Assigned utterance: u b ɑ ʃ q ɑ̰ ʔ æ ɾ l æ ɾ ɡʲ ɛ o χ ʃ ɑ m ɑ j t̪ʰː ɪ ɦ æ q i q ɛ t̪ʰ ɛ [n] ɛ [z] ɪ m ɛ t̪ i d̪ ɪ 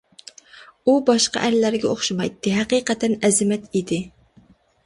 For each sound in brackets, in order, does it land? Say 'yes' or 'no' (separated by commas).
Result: yes, yes